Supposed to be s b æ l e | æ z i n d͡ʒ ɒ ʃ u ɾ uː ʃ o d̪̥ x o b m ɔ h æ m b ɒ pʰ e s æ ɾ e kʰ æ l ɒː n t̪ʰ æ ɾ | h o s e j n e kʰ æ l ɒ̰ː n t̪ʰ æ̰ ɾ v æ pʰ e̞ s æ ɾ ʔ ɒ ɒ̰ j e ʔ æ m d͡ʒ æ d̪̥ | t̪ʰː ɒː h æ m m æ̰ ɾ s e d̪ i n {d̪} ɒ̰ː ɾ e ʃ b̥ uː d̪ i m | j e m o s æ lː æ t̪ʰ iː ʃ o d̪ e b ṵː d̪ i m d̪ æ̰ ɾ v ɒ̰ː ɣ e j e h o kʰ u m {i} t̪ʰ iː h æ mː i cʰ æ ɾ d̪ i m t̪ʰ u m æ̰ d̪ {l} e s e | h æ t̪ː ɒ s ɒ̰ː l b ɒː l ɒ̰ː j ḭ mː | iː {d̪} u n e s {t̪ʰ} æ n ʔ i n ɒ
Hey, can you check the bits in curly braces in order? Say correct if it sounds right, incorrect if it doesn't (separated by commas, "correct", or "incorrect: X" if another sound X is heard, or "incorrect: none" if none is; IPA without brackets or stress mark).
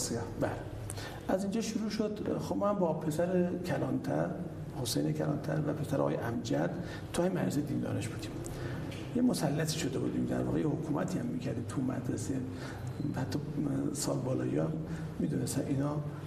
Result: correct, incorrect: æ, incorrect: ɾ, correct, incorrect: t̪